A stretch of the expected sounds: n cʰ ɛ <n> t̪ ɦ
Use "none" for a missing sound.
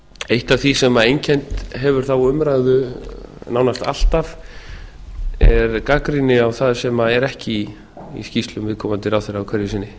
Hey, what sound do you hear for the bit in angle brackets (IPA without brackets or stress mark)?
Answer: n